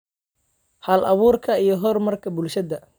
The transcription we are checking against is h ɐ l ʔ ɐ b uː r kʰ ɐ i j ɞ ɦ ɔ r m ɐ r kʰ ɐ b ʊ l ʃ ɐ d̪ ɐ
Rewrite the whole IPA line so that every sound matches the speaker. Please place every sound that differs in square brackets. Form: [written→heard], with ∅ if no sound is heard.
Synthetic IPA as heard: h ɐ l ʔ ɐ [b→β] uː r kʰ ɐ i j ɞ ɦ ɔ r m ɐ r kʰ ɐ b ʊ l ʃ ɐ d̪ ɐ